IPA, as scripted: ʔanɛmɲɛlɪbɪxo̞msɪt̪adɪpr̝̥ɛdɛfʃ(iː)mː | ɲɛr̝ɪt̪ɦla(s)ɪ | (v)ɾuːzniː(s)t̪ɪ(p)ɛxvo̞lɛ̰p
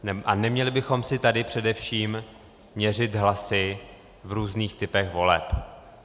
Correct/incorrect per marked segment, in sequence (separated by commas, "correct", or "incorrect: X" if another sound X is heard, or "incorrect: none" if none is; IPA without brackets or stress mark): correct, correct, correct, incorrect: x, correct